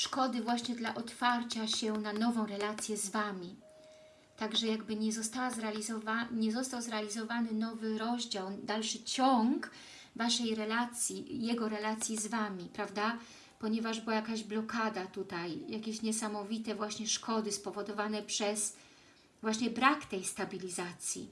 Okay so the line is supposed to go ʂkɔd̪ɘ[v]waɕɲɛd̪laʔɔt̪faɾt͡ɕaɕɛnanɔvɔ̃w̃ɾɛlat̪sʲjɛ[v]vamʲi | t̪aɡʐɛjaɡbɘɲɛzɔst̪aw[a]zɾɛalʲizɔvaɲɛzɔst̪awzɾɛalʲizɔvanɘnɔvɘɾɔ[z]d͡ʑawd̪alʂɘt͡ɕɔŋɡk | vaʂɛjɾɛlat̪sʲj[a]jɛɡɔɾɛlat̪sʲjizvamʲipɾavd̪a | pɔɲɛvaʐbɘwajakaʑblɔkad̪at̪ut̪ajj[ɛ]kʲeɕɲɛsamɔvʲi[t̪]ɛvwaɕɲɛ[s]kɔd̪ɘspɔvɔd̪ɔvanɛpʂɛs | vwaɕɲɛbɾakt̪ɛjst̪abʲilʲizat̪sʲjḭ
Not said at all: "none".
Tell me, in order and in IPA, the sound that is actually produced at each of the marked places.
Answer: v, z, a, ʑ, i, a, t̪, ʂ

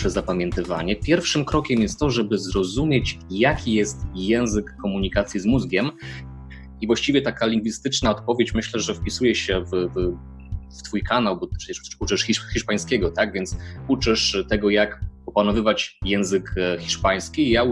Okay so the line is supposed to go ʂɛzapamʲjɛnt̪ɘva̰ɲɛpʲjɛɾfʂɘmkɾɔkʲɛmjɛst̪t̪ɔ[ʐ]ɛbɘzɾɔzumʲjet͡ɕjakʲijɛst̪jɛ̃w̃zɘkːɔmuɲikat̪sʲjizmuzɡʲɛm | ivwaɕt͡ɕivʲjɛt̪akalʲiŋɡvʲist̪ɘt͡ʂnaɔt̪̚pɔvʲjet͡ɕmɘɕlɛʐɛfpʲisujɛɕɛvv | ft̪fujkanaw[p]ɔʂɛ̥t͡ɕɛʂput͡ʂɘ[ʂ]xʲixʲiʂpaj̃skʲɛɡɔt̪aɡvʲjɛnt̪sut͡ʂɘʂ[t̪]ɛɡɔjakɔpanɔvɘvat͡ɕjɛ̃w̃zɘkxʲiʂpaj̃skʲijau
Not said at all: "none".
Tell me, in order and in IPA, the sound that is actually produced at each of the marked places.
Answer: ʐ, b, ʂ, t̪

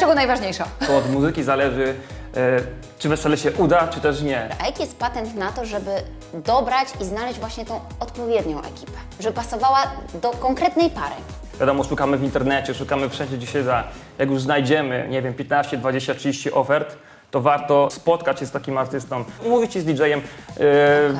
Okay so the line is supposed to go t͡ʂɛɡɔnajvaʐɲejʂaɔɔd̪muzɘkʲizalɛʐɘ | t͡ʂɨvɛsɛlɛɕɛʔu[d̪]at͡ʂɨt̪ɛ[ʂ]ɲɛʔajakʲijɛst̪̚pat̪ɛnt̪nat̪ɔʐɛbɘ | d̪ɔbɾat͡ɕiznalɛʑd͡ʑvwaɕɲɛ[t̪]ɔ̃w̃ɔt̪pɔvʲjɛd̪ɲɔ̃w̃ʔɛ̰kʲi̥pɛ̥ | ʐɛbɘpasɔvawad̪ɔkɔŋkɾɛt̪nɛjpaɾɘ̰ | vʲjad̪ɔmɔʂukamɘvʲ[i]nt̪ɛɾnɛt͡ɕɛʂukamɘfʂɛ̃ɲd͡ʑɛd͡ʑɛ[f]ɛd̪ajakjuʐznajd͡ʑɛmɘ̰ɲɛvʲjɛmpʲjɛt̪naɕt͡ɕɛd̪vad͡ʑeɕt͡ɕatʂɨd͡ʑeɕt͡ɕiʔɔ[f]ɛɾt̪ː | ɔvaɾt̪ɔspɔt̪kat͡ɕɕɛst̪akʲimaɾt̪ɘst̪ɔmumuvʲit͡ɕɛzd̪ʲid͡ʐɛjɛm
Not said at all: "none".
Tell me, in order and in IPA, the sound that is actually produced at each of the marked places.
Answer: d̪, ʂ, t̪, i, ɕ, f

